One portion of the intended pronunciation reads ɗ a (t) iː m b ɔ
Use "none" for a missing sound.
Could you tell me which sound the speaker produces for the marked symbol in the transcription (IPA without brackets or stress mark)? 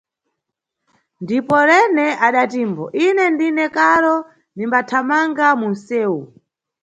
t